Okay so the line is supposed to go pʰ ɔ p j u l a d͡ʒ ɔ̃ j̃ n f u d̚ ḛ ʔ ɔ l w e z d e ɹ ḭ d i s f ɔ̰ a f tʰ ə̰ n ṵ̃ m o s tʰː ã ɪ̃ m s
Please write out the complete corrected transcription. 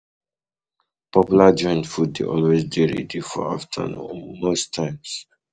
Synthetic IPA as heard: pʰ ɔ p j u l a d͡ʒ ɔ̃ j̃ n f u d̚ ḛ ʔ ɔ l w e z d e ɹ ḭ d i f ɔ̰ a f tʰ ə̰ n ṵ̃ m o s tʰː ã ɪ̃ m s